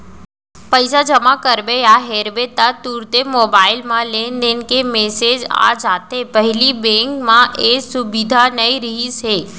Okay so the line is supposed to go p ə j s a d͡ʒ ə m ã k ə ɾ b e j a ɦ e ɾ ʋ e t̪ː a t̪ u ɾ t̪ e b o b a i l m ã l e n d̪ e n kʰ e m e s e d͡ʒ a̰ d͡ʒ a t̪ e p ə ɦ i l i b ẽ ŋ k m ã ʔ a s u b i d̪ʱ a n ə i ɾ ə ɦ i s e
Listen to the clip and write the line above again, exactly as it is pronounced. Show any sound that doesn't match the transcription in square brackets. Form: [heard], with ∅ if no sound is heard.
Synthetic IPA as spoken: p ə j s a d͡ʒ ə m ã k ə ɾ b e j a ɦ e ɾ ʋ e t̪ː a t̪ u ɾ t̪ e [m] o b a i l m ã l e n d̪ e n [k] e m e s e d͡ʒ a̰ d͡ʒ a t̪ e p ə ɦ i l i b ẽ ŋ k m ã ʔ [e] s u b i d̪ʱ a n ə i ɾ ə ɦ i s e